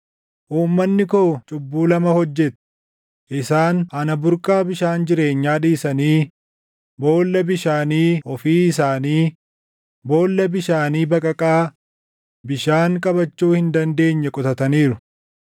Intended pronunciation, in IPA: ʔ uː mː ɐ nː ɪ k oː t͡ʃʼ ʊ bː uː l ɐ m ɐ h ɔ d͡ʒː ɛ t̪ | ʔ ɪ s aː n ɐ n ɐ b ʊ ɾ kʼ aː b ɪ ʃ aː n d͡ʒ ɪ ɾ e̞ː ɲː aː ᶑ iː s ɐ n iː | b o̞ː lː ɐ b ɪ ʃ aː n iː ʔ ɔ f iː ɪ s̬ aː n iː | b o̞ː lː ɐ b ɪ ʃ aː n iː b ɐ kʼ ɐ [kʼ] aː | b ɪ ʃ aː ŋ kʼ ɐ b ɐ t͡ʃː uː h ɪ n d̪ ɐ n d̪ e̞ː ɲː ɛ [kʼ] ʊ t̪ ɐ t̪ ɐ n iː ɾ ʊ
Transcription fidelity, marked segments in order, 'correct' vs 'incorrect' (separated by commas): correct, correct